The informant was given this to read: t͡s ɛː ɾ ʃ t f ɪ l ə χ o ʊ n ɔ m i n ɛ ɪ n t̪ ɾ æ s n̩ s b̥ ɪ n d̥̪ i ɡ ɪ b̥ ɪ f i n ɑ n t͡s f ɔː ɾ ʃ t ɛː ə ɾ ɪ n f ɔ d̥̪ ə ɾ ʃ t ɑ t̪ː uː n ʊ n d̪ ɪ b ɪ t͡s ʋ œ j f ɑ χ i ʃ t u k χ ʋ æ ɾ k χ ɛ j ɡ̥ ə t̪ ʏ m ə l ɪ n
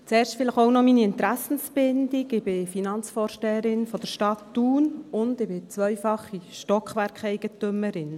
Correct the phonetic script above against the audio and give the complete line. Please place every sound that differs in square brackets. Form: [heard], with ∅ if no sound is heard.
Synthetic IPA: t͡s ɛː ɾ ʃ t f ɪ l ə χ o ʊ n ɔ m i n [i] ɪ n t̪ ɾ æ s n̩ s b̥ ɪ n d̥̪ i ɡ ɪ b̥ ɪ f i n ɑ n t͡s f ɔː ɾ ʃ t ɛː ə ɾ ɪ n f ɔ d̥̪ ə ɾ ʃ t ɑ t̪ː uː n ʊ n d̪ ɪ b ɪ t͡s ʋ œ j f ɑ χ i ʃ t [ɔ] k χ ʋ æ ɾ k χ ɛ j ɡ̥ ə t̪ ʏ m ə [ɾ] ɪ n